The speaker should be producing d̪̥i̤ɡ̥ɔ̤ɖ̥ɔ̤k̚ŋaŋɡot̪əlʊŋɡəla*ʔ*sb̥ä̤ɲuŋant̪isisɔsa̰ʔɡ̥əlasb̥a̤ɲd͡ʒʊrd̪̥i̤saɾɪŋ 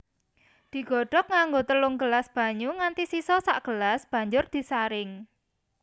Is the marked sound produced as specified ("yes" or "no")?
no